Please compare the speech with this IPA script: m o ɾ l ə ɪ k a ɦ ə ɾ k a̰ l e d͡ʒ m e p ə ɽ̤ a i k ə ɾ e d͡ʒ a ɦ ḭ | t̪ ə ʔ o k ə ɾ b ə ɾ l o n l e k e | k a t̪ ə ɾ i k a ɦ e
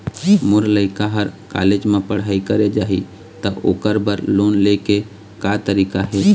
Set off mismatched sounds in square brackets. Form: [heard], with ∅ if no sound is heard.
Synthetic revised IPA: m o ɾ l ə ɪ k a ɦ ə ɾ k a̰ l e d͡ʒ m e p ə ɽ̤ a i k ə ɾ e d͡ʒ a ɦ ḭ | t̪ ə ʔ o k ə ɾ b ə ɾ l o n l e k e | k a t̪ ə ɾ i k a ɦ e